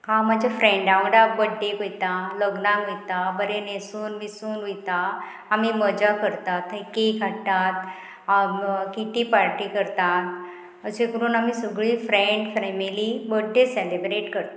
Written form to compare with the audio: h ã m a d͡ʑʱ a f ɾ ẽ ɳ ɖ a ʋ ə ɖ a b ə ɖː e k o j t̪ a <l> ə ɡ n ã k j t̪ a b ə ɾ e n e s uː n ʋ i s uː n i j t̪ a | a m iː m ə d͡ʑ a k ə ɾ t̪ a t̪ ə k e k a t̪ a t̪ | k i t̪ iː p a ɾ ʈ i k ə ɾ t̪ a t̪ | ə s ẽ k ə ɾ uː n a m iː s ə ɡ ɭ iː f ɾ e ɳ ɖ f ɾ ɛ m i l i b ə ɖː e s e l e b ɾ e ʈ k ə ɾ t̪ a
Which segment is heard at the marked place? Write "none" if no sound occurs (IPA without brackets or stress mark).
l